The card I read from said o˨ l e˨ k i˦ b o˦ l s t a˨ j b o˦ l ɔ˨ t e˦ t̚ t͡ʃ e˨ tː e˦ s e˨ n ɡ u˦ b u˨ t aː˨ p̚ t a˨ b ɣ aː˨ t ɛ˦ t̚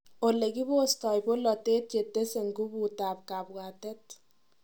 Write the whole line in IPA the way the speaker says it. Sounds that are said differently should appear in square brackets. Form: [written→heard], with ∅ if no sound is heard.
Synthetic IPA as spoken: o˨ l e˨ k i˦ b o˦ [l→∅] s t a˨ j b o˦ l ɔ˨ t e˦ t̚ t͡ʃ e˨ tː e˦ s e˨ [n→ŋ] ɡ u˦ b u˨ t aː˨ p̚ [t→k] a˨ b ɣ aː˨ t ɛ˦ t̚